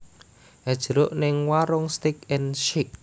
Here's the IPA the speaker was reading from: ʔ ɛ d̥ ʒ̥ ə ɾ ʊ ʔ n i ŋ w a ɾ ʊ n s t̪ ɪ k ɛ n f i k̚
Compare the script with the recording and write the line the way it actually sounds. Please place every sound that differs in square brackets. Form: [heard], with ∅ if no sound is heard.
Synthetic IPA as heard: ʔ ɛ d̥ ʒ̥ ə ɾ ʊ ʔ n [ɪ] ŋ w a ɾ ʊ [ŋ] s t̪ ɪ k ɛ n [ʃ] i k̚